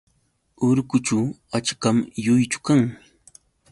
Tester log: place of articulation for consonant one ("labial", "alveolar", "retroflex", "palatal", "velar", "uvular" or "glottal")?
alveolar